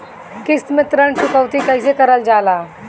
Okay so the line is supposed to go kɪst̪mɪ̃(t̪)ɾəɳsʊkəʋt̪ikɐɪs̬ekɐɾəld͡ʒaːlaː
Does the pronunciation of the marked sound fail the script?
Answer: no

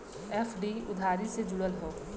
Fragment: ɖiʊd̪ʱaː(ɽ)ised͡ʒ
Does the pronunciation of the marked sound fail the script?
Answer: yes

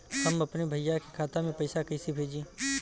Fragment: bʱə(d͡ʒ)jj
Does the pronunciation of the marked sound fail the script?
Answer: yes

